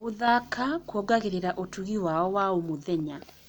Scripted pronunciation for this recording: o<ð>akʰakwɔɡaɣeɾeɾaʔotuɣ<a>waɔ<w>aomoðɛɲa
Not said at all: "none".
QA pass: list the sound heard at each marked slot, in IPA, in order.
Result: ð, i, w

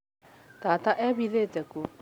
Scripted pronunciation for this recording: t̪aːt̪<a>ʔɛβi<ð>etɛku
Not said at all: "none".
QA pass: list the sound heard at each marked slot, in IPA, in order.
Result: a, ð

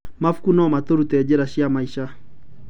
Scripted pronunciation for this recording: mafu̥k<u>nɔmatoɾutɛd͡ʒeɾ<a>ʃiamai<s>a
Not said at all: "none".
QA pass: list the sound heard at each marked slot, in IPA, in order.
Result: u, a, ʃ

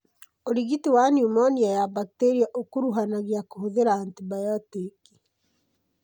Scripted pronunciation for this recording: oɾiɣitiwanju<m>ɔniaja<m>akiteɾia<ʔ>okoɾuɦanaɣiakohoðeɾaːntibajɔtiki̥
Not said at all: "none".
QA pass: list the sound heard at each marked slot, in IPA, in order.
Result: m, b, ʔ

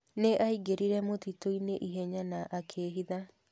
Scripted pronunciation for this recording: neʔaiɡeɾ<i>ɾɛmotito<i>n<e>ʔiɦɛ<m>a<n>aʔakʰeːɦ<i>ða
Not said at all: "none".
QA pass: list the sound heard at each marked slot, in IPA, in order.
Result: i, i, e, ɲ, n, i

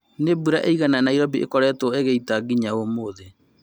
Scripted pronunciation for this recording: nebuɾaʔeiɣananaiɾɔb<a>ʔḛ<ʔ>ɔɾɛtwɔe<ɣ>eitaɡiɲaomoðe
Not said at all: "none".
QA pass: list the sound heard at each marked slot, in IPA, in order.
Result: i, k, ɣ

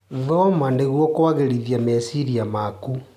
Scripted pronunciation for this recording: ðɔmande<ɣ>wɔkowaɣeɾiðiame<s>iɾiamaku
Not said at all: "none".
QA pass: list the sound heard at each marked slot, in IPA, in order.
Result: ɣ, s

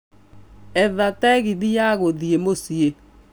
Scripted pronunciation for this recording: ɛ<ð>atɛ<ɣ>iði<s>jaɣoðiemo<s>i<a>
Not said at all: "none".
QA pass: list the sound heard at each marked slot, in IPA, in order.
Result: ð, ɣ, none, s, e

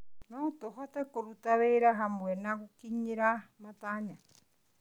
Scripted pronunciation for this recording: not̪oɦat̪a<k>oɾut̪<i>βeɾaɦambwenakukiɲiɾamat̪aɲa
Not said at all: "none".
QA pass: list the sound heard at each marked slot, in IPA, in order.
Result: k, a

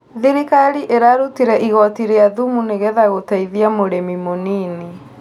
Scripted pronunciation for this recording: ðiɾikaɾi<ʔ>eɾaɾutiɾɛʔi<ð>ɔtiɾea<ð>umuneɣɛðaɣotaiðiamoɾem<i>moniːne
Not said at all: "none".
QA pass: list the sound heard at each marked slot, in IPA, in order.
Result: ʔ, ɣ, ð, i

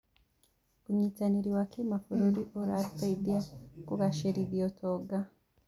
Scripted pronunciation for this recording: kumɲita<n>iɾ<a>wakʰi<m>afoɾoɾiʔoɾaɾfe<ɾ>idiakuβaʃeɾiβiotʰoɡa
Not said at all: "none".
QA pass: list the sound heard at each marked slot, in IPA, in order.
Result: n, i, m, none

